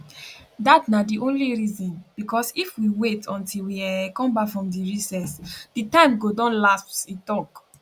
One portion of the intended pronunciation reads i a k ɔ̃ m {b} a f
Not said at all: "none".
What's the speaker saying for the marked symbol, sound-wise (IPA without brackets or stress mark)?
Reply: b